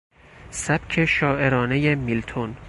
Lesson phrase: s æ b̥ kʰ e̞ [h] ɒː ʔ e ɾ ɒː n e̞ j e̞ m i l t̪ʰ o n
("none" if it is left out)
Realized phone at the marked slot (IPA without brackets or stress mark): ʃ